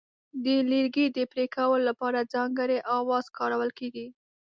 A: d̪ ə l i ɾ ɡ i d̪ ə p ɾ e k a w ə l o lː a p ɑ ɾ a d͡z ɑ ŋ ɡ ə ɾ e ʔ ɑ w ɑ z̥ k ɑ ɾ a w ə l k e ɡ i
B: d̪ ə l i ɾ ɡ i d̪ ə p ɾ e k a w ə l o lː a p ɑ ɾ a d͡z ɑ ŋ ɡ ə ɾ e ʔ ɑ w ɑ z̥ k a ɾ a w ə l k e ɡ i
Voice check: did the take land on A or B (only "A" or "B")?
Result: A